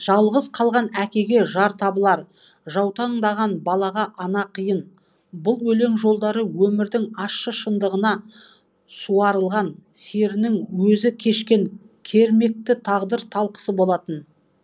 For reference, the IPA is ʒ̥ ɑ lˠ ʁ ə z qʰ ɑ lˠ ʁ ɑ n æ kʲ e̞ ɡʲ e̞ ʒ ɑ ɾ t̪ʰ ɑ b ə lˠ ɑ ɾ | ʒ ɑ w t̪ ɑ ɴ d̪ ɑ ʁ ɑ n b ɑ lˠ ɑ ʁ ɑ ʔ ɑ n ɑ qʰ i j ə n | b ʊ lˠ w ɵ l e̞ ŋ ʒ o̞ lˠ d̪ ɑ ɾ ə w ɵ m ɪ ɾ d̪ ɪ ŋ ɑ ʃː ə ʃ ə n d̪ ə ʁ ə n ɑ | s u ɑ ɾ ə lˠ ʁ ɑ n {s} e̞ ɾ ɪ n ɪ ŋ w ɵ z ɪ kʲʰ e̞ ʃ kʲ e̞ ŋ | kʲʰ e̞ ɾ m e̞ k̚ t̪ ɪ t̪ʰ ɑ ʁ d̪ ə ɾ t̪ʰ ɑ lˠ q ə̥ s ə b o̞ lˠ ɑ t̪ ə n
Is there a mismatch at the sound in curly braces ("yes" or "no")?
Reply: no